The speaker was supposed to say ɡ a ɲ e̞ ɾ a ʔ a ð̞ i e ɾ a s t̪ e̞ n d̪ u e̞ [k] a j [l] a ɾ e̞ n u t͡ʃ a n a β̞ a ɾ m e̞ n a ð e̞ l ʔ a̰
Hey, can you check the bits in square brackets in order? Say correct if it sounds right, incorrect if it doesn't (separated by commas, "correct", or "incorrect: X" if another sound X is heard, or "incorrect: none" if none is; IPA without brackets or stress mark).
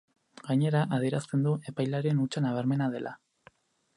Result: incorrect: p, correct